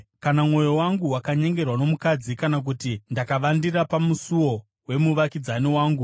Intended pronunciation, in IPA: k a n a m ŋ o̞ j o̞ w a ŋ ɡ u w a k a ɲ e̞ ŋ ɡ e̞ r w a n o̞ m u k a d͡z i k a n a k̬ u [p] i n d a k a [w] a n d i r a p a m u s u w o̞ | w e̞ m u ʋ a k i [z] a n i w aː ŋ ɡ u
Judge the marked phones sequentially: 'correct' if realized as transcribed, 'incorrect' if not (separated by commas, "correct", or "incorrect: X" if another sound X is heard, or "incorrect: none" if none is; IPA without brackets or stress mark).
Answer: incorrect: t, incorrect: ʋ, incorrect: d͡z